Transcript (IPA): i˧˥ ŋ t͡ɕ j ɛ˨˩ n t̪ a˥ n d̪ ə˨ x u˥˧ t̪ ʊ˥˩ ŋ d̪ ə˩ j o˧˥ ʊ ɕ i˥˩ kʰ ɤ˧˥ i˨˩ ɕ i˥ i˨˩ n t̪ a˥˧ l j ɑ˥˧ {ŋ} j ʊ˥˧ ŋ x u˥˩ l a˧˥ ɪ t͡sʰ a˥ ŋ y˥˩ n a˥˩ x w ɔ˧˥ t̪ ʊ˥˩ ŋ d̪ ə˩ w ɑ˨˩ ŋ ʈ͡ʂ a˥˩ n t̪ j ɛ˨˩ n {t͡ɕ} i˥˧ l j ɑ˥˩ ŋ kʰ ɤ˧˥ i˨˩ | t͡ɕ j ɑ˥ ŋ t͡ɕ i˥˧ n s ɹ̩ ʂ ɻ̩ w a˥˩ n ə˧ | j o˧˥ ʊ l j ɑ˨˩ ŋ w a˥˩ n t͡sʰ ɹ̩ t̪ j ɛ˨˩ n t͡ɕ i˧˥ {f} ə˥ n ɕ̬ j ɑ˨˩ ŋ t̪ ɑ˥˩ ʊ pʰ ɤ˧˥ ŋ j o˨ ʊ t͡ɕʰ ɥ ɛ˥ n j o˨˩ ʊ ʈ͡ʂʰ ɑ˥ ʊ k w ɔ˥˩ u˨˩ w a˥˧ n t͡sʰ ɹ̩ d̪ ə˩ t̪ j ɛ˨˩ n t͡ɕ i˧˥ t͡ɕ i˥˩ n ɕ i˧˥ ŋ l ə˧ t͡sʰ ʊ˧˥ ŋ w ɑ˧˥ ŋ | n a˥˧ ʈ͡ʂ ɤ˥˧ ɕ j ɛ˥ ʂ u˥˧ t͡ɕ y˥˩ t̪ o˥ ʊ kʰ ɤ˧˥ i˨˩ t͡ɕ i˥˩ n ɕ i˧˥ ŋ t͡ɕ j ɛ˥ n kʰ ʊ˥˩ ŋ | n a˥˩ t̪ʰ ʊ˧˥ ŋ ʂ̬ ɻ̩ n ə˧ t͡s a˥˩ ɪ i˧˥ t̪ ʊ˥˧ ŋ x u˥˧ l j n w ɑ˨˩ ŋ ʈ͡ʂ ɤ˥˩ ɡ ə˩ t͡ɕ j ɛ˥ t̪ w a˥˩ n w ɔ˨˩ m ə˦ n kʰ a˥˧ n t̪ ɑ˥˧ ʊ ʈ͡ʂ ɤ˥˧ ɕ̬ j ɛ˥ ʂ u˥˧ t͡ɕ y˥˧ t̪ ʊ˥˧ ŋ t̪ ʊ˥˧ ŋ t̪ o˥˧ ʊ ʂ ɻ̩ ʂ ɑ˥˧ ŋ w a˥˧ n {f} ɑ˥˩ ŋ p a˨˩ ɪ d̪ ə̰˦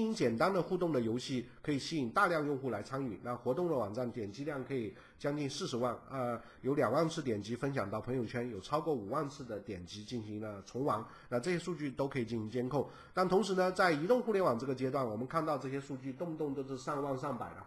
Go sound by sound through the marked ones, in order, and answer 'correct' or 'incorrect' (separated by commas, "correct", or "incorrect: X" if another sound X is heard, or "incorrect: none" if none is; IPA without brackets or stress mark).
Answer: correct, correct, correct, incorrect: ʂ